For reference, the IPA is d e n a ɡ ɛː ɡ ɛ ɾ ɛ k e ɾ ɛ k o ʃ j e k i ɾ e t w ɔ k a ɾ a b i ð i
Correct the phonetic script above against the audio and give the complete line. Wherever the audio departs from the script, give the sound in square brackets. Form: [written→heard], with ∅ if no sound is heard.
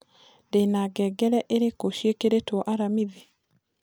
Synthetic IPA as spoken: d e n a ɡ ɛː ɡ ɛ ɾ ɛ [k→ʔ] e ɾ [ɛ→e] k o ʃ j e k [i→e] ɾ e t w ɔ [k→ʔ] a ɾ a [b→m] i ð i